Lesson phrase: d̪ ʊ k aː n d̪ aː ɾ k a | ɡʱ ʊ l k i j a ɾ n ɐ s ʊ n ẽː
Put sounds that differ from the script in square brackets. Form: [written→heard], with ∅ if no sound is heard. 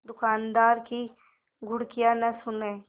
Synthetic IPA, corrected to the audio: d̪ ʊ k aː n d̪ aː ɾ k [a→i] | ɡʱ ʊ [l→ɽ] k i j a [ɾ→∅] n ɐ s ʊ n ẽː